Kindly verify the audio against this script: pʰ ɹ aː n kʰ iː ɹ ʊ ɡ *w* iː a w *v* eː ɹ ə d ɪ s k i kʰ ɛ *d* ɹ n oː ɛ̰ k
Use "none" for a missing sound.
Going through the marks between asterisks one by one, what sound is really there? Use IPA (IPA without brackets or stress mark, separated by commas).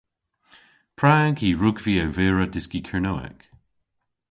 v, v, none